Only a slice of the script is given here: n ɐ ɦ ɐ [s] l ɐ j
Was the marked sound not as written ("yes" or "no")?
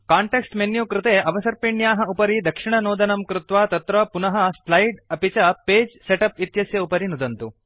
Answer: no